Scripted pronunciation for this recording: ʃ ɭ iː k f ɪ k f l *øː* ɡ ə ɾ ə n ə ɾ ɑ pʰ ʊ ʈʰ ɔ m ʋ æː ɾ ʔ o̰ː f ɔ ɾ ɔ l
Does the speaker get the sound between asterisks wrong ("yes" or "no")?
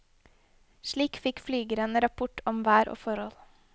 yes